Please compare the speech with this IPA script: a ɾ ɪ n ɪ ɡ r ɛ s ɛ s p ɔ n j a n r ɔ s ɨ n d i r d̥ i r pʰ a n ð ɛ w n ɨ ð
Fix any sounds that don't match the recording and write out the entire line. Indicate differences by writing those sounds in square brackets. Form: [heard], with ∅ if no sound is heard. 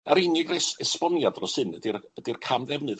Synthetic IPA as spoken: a ɾ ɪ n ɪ ɡ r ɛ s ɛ s p ɔ n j a [d] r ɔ s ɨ n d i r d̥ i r [kʰ] a [m] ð ɛ [v] n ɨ ð

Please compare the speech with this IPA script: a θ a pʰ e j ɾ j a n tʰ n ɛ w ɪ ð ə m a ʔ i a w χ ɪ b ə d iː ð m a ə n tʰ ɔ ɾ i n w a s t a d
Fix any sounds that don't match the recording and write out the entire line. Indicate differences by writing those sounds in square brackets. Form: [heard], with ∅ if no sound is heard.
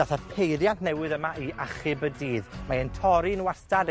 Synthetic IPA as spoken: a θ a pʰ e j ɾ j a n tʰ n ɛ w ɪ ð ə m a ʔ i a [∅] χ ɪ b ə d iː ð m a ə n tʰ ɔ ɾ i n w a s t a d

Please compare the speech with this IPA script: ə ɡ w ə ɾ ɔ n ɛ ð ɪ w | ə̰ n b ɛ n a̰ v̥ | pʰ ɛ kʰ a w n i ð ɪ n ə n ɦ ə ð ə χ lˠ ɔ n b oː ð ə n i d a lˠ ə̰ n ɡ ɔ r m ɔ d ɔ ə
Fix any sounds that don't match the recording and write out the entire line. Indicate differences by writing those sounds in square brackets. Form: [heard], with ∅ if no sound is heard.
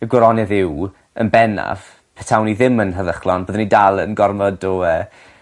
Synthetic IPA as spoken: ə ɡ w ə ɾ ɔ n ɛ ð ɪ w | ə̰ n b ɛ n a̰ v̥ | pʰ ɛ [tʰ] a w n i ð ɪ [m] ə n ɦ ə ð ə χ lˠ ɔ n b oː ð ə n i d a lˠ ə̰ n ɡ ɔ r m ɔ d ɔ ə

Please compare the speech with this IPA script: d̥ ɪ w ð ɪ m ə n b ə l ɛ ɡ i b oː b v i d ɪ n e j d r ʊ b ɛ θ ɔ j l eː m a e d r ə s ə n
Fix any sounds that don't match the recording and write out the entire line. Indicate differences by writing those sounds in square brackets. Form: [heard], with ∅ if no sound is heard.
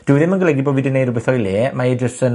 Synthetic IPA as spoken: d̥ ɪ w ð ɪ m ə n [ɡ] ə l ɛ ɡ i b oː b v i d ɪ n e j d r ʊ b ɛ θ ɔ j l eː m a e d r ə s ə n

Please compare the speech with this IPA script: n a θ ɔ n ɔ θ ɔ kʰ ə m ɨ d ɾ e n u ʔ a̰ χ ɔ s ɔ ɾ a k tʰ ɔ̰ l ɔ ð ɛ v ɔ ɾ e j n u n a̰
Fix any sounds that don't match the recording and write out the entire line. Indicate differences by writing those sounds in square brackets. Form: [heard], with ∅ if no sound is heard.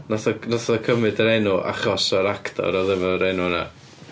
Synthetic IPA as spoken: n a θ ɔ n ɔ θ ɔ kʰ ə m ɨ d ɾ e n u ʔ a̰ χ ɔ s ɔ ɾ a k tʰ ɔ̰ [ɾ] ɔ ð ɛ v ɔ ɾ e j n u n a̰

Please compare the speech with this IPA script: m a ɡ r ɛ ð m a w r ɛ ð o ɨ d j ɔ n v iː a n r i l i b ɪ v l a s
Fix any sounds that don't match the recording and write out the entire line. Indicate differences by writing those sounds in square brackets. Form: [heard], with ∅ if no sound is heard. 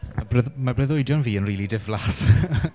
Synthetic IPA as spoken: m a [b] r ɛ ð m a [b] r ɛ ð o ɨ d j ɔ n v iː [ə] n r [iː] l i [d] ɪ v l a s

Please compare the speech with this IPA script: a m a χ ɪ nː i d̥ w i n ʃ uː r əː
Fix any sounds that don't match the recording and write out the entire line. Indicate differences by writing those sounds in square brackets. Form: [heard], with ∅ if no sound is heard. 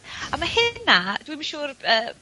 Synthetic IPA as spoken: a m a [h] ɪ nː [a] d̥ w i [m] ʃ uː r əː

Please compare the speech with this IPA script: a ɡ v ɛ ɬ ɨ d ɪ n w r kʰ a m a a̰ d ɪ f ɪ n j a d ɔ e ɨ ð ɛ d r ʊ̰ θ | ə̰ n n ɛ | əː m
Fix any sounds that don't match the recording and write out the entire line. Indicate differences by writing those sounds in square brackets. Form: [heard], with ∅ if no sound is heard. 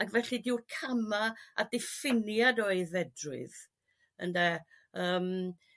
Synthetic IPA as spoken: a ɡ v ɛ ɬ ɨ d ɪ [∅] w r kʰ a m a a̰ d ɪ f ɪ n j a d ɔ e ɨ ð ɛ d r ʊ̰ [ð] | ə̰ n [d] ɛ | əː m

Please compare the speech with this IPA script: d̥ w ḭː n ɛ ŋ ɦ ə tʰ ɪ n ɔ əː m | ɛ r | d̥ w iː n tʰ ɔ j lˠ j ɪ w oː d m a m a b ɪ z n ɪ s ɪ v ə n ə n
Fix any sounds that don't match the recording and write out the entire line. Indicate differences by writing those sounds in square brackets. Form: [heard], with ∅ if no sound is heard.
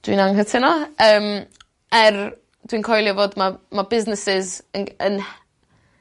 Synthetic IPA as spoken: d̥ w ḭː n [a] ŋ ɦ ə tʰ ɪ n ɔ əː m | ɛ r | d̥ w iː n [kʰ] ɔ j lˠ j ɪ [v] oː d m a m a b ɪ z n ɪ s ɪ [z] ə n ə n

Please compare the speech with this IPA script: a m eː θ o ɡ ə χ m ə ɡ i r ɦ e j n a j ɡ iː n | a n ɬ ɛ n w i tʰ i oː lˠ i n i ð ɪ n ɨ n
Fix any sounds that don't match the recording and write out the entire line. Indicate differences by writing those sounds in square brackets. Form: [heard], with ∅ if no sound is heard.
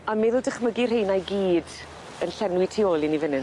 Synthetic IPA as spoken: a m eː [ð] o [d] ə χ m ə ɡ i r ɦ e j n a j ɡ iː [d] | [ə] n ɬ ɛ n w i tʰ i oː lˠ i n i [v] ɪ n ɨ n

